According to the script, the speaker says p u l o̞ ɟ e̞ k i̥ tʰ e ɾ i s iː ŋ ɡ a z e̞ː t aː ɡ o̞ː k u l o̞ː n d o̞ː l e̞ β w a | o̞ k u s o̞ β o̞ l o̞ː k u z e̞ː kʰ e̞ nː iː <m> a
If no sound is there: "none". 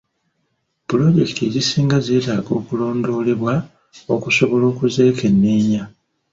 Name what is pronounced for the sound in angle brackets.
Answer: ɲ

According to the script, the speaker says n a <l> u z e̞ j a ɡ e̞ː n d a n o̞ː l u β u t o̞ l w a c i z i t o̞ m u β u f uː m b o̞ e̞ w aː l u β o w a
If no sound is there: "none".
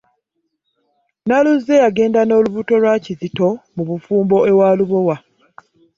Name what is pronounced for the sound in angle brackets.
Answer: l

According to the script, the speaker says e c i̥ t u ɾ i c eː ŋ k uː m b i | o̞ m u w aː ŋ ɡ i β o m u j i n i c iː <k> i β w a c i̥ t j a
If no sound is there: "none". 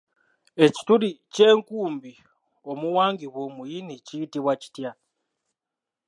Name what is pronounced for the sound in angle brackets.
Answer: t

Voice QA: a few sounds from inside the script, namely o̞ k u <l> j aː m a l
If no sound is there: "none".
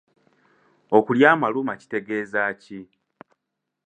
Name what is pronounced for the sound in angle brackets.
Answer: l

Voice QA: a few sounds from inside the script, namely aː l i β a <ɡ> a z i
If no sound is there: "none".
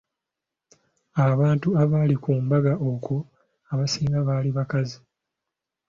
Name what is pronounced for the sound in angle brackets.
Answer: k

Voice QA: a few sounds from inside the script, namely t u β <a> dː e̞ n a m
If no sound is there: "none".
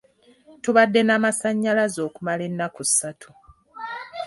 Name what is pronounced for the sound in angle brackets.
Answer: a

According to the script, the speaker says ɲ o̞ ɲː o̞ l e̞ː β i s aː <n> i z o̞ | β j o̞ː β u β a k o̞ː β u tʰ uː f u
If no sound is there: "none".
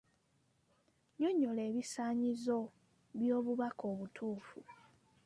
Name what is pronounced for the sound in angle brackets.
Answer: ɲ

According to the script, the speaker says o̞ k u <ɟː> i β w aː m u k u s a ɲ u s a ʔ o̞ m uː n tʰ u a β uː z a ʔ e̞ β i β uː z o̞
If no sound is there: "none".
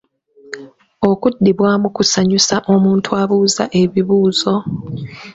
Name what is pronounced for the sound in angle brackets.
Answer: dː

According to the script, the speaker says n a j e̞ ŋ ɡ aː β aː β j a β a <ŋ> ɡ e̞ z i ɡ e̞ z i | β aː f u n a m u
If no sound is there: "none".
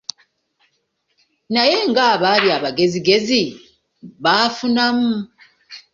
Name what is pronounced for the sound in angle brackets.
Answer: none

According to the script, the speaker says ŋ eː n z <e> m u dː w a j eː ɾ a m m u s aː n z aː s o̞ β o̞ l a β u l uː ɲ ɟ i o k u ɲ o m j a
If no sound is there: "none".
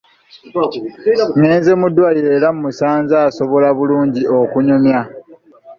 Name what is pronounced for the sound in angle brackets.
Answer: e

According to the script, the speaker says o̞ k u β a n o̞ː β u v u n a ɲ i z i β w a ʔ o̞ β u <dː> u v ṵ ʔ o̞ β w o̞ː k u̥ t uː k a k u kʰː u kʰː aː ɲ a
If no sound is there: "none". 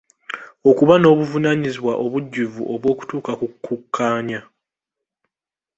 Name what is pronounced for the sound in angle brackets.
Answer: ɟː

